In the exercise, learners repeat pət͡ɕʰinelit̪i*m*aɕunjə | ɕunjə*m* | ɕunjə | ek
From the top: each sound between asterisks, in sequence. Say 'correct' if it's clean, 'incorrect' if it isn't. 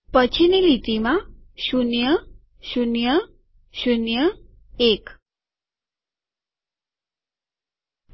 correct, incorrect: none

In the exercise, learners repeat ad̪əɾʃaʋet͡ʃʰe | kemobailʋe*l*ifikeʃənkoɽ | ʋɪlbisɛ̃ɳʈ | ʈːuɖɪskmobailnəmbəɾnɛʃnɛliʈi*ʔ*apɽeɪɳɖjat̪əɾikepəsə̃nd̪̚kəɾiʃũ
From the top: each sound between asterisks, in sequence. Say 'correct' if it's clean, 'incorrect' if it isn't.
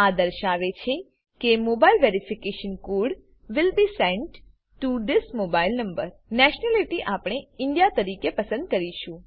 incorrect: ɾ, correct

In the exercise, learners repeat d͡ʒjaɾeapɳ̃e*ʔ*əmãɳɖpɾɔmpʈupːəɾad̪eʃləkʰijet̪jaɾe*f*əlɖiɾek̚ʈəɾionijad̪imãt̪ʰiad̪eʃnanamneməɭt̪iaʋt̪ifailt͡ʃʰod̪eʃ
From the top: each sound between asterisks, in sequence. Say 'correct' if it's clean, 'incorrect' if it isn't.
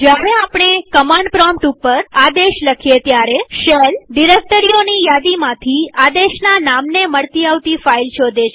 incorrect: k, incorrect: ʃ

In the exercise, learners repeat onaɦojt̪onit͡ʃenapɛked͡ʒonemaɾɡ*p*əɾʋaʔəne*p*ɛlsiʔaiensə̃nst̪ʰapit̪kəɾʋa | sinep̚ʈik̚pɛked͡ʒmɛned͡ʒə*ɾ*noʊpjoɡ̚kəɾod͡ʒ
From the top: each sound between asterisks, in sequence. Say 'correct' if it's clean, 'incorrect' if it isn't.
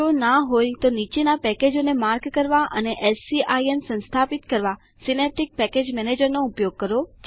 incorrect: k, incorrect: ʔ, correct

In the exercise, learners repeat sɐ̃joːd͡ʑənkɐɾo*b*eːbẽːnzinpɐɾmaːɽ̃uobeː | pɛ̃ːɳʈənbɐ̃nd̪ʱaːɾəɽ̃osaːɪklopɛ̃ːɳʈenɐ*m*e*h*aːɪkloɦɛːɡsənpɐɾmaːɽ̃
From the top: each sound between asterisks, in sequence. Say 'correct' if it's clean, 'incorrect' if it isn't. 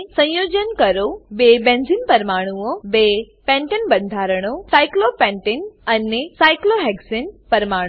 correct, incorrect: n, incorrect: s

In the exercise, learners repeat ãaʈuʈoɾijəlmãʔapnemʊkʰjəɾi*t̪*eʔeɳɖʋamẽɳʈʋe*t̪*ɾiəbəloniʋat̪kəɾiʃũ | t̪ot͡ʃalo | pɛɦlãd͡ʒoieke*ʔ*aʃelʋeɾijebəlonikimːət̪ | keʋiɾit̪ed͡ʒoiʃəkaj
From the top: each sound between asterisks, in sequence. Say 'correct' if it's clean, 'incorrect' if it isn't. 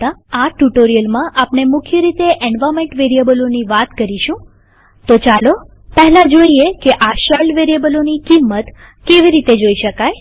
correct, incorrect: none, correct

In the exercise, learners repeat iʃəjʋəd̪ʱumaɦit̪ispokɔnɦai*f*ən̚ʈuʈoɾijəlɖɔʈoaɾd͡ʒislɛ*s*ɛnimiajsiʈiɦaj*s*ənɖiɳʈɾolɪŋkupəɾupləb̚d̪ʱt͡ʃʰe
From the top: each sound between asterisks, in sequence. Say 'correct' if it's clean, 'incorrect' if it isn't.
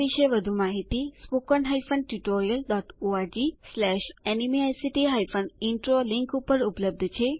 correct, incorrect: ʃ, incorrect: f

